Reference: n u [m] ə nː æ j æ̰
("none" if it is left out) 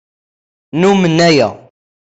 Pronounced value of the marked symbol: m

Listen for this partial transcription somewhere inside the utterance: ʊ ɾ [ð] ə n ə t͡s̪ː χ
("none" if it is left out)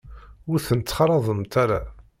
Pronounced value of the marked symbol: θ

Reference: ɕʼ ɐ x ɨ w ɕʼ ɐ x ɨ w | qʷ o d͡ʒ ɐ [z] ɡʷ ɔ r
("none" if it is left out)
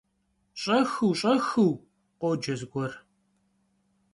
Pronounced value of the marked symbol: z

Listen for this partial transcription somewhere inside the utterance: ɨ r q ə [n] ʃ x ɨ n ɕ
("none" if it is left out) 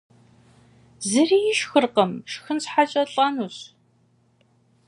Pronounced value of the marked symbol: m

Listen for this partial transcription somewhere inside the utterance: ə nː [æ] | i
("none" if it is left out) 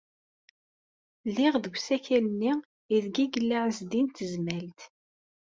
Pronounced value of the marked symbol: i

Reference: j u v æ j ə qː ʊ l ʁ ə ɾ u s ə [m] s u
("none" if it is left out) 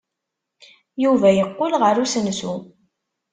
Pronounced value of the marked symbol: n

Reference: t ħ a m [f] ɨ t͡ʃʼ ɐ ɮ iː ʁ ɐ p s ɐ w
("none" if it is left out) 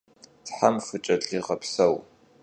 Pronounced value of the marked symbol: f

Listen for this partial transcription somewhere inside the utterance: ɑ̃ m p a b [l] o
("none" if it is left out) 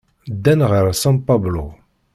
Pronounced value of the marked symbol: l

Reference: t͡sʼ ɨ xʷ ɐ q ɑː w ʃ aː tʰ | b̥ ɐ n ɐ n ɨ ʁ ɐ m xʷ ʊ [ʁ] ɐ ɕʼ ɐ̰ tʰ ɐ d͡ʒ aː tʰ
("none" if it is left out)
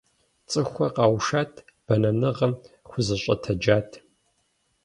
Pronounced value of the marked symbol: z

